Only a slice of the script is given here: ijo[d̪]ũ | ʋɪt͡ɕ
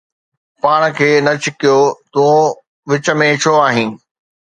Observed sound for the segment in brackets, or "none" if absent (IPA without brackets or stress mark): t̪